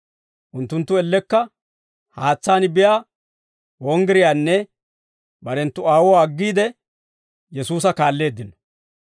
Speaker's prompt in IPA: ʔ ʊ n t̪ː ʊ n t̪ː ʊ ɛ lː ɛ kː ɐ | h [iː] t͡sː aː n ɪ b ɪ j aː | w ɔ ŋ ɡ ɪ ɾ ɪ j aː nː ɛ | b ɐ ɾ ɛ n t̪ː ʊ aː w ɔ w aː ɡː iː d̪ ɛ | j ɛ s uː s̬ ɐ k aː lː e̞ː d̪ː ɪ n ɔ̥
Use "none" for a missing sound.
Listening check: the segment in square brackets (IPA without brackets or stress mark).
aː